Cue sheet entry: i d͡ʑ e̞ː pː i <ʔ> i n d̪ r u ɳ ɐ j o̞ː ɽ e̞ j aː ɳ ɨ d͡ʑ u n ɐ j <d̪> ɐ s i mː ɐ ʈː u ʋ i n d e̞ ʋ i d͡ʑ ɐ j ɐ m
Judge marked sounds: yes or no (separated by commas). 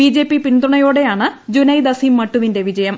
no, yes